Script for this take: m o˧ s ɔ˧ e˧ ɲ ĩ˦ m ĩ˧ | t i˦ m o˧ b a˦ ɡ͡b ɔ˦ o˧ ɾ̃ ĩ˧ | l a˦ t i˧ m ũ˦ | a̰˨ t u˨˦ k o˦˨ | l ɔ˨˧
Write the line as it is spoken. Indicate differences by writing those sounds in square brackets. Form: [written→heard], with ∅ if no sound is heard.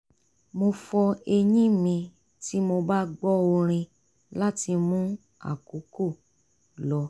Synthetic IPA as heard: m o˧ [s→f] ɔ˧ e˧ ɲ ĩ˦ m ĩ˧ | t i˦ m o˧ b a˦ ɡ͡b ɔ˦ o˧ ɾ̃ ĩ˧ | l a˦ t i˧ m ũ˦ | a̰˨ [t→k] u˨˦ k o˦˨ | l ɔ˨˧